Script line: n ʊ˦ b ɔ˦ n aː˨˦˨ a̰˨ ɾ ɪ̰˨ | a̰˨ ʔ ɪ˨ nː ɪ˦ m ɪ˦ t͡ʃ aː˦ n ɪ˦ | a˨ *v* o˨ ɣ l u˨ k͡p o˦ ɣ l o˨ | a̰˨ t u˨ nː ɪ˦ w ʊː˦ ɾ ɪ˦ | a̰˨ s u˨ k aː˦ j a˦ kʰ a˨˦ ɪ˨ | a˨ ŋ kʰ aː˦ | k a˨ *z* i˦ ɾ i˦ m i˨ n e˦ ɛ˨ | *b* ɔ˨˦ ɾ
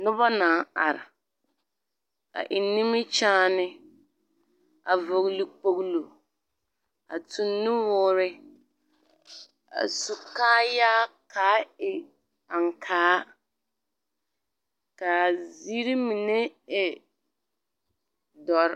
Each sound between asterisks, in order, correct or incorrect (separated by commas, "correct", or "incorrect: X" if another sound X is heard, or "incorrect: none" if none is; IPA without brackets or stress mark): correct, correct, incorrect: d